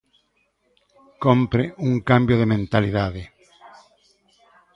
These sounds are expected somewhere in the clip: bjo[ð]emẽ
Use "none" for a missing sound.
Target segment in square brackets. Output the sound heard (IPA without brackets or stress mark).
ð